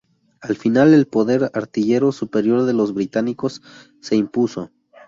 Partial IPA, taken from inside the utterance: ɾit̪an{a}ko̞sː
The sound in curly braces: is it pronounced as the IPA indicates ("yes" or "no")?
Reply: no